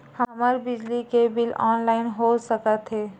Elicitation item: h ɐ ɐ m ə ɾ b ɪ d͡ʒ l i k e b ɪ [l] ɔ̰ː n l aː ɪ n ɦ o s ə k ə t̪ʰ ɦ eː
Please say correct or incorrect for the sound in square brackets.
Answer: correct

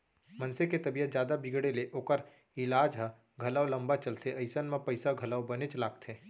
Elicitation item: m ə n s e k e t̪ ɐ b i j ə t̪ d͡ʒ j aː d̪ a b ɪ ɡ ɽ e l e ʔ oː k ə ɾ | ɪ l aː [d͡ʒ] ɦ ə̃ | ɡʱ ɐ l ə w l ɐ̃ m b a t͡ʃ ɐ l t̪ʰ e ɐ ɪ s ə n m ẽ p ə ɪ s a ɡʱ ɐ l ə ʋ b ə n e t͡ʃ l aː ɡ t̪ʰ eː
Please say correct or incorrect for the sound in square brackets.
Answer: correct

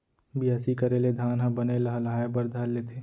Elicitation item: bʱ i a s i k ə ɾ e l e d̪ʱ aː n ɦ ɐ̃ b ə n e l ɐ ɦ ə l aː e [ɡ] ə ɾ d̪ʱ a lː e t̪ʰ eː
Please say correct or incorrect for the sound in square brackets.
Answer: incorrect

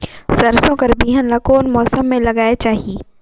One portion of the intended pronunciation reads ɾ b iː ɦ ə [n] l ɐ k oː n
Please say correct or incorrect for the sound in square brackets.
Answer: correct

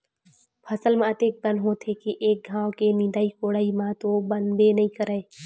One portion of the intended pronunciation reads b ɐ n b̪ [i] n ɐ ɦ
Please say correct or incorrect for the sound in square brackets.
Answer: incorrect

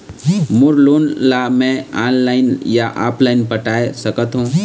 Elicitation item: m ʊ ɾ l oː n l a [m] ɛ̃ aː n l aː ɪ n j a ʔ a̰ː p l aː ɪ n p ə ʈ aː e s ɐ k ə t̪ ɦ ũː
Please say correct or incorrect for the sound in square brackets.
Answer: correct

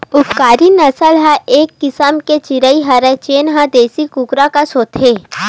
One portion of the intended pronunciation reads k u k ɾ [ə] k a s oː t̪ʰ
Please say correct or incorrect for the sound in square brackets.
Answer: incorrect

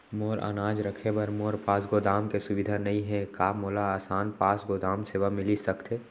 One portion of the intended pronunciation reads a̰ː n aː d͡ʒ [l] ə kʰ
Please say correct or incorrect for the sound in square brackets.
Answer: incorrect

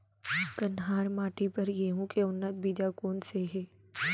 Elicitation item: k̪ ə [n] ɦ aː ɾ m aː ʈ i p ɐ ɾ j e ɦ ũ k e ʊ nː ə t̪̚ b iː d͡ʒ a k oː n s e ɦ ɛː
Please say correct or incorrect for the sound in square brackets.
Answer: correct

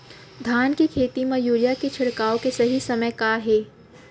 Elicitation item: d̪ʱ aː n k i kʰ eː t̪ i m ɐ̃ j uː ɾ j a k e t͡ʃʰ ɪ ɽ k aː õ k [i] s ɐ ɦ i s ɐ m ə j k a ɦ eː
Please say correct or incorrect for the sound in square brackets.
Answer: incorrect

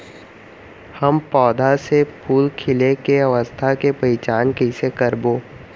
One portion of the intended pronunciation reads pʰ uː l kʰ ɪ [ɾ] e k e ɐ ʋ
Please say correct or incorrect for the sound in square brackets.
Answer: incorrect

